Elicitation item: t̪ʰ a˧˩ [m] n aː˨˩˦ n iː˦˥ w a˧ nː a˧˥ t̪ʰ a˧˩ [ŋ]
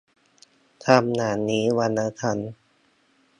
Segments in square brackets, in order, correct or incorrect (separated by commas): correct, incorrect